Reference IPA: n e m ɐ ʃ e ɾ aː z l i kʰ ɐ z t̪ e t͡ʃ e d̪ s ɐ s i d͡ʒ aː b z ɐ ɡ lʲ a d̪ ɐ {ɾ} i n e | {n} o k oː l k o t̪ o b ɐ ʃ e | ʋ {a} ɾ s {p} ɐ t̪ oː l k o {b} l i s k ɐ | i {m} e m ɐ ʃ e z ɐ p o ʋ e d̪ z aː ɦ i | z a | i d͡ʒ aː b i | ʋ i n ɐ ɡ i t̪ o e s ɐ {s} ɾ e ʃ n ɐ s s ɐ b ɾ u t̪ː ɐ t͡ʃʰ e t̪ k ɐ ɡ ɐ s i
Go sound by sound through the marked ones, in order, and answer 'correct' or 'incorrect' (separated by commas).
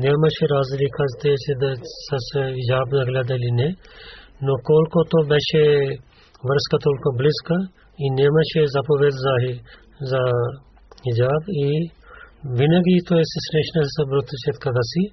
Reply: incorrect, correct, incorrect, incorrect, correct, incorrect, correct